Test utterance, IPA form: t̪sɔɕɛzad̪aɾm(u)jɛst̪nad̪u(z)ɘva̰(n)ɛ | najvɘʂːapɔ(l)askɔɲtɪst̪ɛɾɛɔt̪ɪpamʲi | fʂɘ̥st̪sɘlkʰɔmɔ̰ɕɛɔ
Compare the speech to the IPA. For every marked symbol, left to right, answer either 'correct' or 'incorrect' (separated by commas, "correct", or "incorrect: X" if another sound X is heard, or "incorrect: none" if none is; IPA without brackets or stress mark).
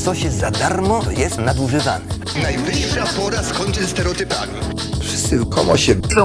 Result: incorrect: ɔ, incorrect: ʐ, correct, incorrect: ɾ